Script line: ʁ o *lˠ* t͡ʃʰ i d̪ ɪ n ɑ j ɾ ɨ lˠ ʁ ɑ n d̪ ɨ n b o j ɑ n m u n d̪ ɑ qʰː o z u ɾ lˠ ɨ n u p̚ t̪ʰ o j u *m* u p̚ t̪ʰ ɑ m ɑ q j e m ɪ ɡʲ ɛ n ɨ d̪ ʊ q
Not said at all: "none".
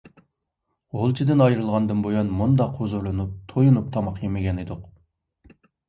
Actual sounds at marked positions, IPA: lˠ, n

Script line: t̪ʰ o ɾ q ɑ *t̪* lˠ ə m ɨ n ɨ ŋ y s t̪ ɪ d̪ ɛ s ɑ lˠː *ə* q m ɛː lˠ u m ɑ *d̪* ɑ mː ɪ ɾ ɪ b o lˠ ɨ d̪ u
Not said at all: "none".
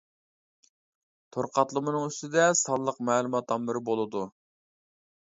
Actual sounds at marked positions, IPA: t̪, ə, t̪

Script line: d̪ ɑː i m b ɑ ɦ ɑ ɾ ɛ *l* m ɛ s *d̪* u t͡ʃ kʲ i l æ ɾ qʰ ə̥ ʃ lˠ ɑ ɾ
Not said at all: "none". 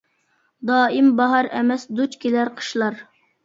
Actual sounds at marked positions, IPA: none, d̪

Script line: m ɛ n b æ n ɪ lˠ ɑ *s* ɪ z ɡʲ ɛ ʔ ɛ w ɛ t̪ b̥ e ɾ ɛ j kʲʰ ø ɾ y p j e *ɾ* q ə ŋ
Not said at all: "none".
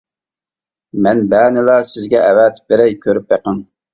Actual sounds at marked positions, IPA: s, none

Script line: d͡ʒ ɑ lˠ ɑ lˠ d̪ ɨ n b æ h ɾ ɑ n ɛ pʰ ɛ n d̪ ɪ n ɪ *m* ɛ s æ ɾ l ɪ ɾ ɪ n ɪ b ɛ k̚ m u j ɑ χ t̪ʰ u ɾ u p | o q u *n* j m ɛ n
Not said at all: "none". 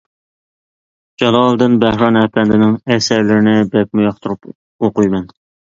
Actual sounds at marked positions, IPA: ŋ, none

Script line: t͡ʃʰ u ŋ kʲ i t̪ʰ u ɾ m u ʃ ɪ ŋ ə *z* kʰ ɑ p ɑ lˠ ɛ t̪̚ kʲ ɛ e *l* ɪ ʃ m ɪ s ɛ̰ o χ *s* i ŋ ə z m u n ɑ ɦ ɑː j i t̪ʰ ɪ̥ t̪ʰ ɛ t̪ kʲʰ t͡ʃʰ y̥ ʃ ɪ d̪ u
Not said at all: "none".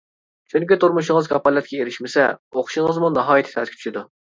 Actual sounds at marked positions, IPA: z, ɾ, ʃ

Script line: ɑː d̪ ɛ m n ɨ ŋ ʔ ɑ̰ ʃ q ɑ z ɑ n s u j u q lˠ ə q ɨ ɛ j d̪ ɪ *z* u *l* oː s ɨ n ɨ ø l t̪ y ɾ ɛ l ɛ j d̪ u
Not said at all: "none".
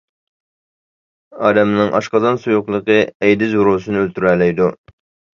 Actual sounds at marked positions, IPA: z, ɾ

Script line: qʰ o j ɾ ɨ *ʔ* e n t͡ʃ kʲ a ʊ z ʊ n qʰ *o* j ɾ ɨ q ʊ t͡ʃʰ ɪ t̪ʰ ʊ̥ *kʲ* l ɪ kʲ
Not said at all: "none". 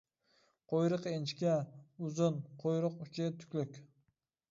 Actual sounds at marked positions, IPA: q, o, kʲ

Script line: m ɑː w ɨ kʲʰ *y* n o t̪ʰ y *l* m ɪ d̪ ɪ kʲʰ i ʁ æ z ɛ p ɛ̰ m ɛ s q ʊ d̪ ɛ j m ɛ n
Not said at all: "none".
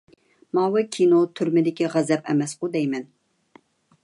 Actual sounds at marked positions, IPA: i, ɾ

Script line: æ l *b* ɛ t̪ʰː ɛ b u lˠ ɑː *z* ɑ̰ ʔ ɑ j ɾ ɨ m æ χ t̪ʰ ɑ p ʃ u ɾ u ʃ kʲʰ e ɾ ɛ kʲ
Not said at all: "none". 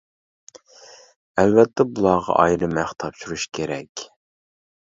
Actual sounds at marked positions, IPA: v, ʁ

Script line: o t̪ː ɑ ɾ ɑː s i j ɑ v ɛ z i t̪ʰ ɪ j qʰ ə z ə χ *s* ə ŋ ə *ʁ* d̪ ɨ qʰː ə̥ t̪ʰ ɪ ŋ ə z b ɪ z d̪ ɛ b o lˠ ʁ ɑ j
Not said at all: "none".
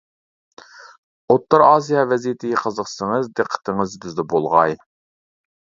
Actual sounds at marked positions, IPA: s, z

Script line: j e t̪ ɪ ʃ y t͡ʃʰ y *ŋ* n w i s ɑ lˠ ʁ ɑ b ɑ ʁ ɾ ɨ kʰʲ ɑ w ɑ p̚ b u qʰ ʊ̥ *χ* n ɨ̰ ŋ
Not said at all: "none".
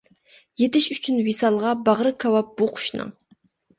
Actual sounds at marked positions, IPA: none, ʃ

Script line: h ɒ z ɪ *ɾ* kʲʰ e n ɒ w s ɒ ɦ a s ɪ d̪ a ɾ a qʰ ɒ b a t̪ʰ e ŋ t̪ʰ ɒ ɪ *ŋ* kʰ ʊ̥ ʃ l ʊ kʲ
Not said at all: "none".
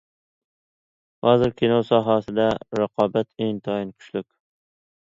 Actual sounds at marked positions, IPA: ɾ, n

